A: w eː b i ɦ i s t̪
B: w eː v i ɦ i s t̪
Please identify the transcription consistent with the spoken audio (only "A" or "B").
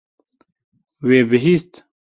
A